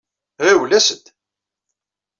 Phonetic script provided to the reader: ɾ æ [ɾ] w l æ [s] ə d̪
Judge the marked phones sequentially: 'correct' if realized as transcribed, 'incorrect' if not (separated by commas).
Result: incorrect, correct